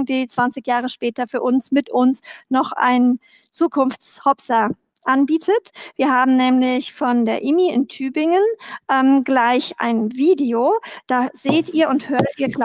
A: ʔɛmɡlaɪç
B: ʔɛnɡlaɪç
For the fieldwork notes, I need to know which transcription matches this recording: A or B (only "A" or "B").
A